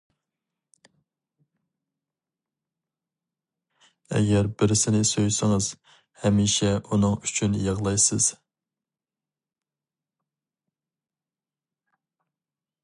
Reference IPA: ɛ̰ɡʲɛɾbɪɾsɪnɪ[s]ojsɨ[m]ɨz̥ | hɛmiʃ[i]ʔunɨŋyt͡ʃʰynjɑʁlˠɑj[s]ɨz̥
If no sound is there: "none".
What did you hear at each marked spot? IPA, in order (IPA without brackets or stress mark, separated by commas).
s, ŋ, ɛ, s